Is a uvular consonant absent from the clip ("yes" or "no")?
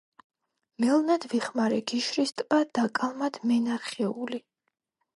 no